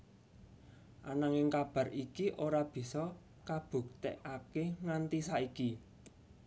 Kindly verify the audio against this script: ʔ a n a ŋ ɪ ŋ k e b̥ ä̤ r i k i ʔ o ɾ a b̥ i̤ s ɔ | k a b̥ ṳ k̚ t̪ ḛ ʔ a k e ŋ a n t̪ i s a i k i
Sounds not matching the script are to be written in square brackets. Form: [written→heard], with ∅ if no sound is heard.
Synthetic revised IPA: ʔ a n a ŋ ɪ ŋ k [e→a] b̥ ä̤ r i k i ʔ o ɾ a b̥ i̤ s ɔ | k a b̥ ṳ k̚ t̪ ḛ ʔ a k e ŋ a n t̪ i s a i k i